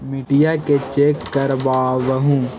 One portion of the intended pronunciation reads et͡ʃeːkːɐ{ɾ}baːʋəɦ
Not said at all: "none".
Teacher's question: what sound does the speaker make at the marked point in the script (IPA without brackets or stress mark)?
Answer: ɾ